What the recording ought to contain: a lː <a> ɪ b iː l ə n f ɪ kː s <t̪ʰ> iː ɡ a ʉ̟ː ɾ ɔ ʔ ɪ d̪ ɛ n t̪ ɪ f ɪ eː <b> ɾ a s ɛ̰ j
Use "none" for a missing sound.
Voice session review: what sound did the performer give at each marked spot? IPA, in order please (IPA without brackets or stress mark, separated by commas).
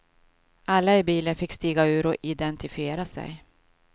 a, t̪, none